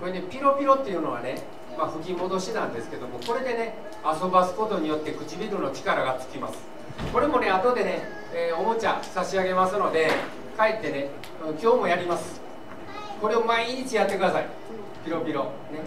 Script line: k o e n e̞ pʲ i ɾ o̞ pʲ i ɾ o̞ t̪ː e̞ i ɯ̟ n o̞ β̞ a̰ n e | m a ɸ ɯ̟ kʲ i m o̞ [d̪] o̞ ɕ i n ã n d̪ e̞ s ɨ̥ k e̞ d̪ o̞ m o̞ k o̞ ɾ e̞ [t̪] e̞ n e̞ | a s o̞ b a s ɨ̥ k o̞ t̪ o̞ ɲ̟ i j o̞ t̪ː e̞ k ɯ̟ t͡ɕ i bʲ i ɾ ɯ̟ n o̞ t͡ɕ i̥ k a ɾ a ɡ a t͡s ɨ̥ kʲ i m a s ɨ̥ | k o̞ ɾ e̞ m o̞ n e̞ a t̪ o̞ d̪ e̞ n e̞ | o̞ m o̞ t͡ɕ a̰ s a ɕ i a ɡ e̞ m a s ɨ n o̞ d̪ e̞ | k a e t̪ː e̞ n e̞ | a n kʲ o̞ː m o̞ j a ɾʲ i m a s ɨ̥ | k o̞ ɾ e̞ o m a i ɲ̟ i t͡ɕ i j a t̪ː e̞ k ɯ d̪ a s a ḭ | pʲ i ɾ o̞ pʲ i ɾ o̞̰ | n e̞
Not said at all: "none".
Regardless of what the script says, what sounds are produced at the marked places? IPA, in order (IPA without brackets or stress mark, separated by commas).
d̪, d̪